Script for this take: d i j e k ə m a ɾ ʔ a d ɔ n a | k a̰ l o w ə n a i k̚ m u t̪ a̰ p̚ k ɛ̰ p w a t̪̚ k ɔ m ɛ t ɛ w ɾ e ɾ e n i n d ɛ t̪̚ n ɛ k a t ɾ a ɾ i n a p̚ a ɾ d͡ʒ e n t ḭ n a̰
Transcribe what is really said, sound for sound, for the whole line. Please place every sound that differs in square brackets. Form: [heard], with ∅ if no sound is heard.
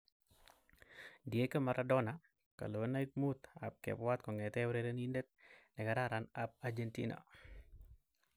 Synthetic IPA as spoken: d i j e k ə m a ɾ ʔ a d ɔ n a | k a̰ l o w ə n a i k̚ m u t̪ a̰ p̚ k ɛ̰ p w a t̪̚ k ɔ [ŋ] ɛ t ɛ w ɾ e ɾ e n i n d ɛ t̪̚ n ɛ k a [∅] ɾ a ɾ [a] n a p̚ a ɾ d͡ʒ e n t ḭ n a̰